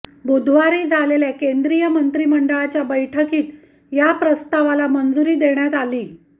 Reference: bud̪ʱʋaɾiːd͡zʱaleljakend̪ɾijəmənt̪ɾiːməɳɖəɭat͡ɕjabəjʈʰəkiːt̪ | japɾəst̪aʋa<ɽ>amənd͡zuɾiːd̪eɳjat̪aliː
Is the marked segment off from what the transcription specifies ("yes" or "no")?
yes